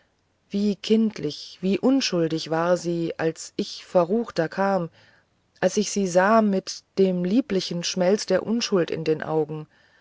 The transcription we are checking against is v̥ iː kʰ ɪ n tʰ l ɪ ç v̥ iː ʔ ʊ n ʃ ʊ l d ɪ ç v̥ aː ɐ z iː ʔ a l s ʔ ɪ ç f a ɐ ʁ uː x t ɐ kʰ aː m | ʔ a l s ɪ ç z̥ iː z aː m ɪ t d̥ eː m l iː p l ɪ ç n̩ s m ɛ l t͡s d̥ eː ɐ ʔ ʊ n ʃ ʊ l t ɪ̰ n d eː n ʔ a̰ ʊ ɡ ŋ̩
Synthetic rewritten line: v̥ iː kʰ ɪ n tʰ l ɪ ç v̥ iː ʔ ʊ n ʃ ʊ l d ɪ ç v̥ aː ɐ z iː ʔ a l s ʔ ɪ ç f ɛ ɐ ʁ uː x t ɐ kʰ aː m | ʔ a l s ɪ ç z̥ iː z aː m ɪ t d̥ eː m l iː p l ɪ ç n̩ ʃ m ɛ l t͡s d̥ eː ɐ ʔ ʊ n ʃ ʊ l t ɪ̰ n d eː n ʔ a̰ ʊ ɡ ŋ̩

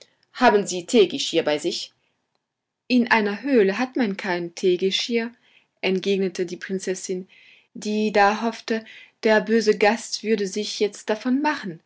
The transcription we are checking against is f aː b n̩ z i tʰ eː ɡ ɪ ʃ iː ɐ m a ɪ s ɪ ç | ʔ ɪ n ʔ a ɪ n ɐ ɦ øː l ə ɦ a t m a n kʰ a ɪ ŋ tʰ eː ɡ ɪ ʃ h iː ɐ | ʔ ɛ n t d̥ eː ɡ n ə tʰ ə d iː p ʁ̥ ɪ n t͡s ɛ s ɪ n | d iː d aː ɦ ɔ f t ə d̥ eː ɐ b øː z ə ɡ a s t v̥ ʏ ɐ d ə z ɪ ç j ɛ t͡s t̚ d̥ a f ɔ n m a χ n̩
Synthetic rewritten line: h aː b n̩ z iː tʰ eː ɡ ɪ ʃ iː ɐ b a ɪ z ɪ ç | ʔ ɪ n ʔ a ɪ n ɐ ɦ øː l ə ɦ a t m a n kʰ a ɪ n tʰ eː ɡ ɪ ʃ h iː ɐ | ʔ ɛ n t ɡ̥ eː ɡ n ə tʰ ə d iː p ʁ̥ ɪ n t͡s ɛ s ɪ n | d iː d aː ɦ ɔ f t ə d̥ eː ɐ b øː z ə ɡ a s t v̥ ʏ ɐ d ə z ɪ ç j ɛ t͡s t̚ d̥ a f ɔ n m a χ n̩

